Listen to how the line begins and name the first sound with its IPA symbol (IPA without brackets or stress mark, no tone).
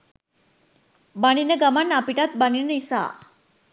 b